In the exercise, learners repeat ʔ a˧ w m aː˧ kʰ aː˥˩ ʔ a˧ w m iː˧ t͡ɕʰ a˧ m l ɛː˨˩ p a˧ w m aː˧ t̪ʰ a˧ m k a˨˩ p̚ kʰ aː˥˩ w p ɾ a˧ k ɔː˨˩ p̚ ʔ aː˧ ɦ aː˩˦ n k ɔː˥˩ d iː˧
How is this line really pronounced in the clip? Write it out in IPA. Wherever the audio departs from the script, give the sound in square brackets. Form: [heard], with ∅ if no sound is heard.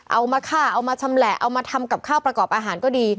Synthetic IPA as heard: ʔ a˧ w m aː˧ kʰ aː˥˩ ʔ a˧ w m [aː˧] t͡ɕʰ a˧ m l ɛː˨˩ [ʔ] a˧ w m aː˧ t̪ʰ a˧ m k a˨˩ p̚ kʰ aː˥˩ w p ɾ a˧ k ɔː˨˩ p̚ ʔ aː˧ ɦ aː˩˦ n k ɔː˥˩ d iː˧